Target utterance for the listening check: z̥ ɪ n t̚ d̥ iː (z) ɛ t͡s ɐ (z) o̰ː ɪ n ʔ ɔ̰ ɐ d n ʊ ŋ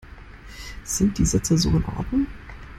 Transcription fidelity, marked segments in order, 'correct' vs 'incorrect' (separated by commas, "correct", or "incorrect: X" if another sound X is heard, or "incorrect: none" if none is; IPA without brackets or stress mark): correct, correct